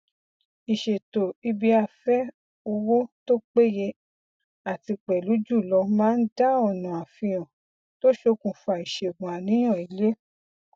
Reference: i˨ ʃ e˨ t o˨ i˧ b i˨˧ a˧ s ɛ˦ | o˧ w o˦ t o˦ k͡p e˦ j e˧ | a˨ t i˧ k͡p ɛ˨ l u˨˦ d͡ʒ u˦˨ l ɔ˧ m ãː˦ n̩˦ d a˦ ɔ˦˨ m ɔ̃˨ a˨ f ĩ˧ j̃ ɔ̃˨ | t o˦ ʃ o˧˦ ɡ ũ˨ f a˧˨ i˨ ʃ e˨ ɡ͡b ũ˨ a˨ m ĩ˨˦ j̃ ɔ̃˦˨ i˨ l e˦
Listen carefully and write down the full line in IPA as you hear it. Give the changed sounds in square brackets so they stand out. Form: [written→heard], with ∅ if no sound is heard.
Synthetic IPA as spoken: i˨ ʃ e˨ t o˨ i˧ b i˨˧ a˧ [s→f] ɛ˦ | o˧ w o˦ t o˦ k͡p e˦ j e˧ | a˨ t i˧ k͡p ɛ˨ l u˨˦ d͡ʒ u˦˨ l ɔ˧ m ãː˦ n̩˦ d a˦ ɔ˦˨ [m→n] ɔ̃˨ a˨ f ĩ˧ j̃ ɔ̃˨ | t o˦ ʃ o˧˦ [ɡ→k] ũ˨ f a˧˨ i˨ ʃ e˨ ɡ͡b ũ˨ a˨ [m→n] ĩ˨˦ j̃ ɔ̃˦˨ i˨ l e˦

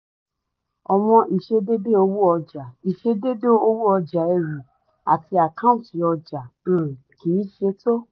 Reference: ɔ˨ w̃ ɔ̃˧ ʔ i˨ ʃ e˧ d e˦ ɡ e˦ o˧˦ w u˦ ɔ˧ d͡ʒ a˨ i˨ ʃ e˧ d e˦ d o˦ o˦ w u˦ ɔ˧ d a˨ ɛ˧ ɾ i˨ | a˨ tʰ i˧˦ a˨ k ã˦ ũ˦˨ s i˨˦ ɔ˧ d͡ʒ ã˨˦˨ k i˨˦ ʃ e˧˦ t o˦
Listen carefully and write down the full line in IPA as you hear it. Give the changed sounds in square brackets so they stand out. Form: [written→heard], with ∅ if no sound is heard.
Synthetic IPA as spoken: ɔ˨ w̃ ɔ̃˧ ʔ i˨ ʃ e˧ d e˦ [ɡ→d] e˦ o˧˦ w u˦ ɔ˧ d͡ʒ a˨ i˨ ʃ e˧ d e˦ d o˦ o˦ w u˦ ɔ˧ [d→d͡ʒ] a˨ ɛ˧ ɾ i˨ | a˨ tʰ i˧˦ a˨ k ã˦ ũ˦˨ [s→t] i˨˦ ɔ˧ d͡ʒ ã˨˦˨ k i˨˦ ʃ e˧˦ t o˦

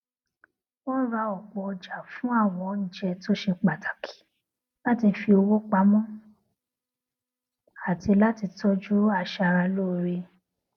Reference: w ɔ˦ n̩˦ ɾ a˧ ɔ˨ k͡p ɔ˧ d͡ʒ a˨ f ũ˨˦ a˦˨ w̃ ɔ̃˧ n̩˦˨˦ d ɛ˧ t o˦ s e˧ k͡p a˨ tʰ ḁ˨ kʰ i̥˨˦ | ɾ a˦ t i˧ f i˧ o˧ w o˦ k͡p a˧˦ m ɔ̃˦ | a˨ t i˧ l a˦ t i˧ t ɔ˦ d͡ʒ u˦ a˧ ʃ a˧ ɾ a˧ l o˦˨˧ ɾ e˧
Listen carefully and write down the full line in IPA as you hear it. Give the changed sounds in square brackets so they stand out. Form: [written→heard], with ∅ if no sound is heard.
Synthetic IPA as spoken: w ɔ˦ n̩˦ ɾ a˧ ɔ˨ k͡p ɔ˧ d͡ʒ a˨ f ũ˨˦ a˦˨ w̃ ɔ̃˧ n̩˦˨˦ [d→d͡ʒ] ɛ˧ t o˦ [s→ʃ] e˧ k͡p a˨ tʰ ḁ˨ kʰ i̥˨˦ | [ɾ→l] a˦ t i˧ f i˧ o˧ w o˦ k͡p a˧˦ m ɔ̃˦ | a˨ t i˧ l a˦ t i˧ t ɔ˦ d͡ʒ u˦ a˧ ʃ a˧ ɾ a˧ l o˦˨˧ ɾ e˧

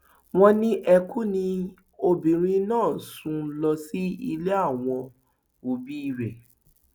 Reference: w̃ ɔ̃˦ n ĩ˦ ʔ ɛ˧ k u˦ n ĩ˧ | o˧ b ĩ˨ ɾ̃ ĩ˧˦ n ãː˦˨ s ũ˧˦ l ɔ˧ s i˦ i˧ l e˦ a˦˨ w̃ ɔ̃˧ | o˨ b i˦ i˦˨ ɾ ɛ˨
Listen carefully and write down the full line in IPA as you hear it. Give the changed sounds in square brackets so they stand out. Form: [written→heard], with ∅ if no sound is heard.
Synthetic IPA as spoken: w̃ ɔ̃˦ n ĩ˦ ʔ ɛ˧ k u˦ n ĩ˧ | o˧ b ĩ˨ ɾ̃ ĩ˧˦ n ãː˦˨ s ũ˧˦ l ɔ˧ s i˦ i˧ l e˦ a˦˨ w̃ ɔ̃˧ | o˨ b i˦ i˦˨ ɾ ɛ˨

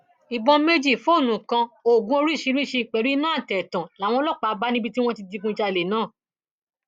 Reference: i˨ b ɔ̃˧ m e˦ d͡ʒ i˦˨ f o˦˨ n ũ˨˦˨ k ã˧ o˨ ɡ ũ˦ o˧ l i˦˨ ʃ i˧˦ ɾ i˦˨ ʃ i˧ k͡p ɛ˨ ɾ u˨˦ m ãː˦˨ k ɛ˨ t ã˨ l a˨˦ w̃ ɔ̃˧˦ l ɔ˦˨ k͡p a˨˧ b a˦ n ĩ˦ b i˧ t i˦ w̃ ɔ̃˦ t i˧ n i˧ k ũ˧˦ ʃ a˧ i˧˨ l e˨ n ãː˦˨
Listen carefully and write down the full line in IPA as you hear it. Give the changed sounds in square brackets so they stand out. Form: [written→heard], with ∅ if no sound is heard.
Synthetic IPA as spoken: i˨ b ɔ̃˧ m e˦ d͡ʒ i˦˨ f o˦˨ n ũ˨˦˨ k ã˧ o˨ ɡ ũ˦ o˧ [l→ɾ] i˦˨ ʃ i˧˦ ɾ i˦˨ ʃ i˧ k͡p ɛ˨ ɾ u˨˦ [m→n] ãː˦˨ [k→t] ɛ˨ t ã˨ l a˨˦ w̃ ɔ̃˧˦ l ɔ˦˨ k͡p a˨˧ b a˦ n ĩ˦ b i˧ t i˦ w̃ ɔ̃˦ t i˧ [n→d] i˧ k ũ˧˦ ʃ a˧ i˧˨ l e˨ n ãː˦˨

